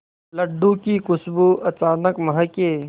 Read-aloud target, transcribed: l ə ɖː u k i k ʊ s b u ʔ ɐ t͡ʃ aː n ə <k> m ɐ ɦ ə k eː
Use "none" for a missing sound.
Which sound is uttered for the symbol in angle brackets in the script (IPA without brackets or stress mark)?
k